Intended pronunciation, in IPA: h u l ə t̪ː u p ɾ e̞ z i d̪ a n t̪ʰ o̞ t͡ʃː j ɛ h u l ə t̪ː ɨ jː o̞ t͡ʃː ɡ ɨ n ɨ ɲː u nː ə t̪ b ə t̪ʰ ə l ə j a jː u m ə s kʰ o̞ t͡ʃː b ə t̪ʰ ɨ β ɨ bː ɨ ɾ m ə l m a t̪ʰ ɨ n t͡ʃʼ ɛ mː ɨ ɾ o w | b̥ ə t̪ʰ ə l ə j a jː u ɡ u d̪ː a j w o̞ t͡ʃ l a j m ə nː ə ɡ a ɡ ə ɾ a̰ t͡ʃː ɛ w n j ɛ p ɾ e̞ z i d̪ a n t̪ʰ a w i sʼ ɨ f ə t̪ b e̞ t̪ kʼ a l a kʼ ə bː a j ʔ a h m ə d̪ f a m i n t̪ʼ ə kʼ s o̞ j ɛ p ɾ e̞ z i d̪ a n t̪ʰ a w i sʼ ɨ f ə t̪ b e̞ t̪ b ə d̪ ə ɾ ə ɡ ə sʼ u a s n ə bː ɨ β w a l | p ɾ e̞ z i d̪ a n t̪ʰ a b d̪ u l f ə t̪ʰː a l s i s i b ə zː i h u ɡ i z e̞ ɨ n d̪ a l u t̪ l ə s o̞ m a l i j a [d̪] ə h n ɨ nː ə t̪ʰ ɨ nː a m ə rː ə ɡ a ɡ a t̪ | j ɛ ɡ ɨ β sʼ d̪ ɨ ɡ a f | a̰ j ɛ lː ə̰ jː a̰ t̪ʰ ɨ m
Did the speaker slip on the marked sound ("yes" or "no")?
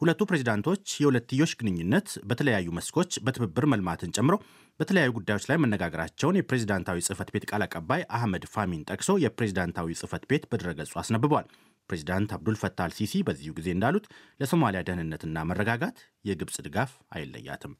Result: no